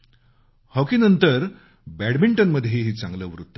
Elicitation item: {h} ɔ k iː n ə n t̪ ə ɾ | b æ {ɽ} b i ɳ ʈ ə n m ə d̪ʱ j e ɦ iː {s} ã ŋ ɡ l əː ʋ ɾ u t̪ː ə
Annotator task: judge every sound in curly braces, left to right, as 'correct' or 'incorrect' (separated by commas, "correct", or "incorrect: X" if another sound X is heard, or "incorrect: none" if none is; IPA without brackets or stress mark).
correct, correct, incorrect: t͡s